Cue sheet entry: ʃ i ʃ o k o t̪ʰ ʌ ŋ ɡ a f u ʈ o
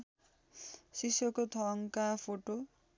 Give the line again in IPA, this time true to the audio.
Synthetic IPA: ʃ i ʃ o k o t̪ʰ ɔ ŋ k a f o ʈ o